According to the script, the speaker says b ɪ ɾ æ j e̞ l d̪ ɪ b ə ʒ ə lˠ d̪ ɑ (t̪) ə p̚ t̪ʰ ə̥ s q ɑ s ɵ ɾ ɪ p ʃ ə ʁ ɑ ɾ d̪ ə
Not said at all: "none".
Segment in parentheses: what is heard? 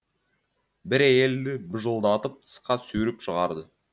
t̪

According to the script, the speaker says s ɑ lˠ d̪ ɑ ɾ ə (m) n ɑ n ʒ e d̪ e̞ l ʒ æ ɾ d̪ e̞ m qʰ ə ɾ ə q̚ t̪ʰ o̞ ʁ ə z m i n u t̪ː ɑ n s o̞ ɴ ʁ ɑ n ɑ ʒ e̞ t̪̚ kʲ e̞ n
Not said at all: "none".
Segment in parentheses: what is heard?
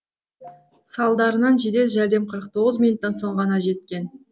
none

